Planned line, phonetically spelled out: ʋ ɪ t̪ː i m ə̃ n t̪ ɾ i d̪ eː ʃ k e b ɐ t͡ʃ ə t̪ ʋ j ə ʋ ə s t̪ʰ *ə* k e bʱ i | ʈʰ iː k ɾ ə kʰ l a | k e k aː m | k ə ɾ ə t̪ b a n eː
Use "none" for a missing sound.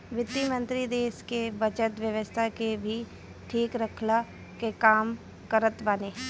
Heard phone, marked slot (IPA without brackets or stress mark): a